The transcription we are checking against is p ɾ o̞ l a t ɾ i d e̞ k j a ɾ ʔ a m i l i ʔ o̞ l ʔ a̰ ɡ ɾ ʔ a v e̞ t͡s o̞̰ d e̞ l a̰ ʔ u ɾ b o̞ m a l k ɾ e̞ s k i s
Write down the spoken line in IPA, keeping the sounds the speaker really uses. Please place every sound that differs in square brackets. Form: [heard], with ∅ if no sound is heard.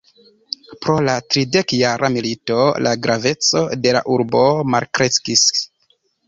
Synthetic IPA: p ɾ o̞ l a t ɾ i d e̞ k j a ɾ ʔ a m i l i [t] o̞ l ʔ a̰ ɡ ɾ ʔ a v e̞ t͡s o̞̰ d e̞ l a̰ ʔ u ɾ b o̞ m a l k ɾ e̞ s k i s